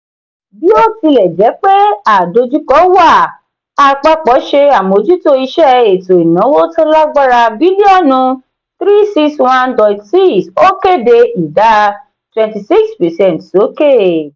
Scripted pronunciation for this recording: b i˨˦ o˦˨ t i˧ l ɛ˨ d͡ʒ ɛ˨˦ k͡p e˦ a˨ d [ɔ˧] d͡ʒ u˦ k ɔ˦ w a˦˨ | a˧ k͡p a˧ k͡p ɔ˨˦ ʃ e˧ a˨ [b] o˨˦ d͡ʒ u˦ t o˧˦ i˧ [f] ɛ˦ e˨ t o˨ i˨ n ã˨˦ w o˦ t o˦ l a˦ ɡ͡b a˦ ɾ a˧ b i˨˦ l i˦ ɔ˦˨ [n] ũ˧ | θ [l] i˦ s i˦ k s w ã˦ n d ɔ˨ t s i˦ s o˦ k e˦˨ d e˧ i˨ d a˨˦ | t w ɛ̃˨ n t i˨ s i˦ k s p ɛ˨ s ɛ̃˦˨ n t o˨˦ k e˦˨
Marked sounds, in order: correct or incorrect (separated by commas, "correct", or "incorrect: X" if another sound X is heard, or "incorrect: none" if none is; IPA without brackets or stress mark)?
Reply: incorrect: o˧, incorrect: m, incorrect: ʃ, correct, incorrect: ɾ